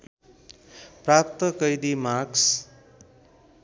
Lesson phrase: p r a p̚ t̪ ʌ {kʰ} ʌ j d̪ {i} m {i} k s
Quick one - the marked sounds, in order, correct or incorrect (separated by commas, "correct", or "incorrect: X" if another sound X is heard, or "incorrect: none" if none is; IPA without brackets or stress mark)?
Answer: incorrect: k, correct, incorrect: a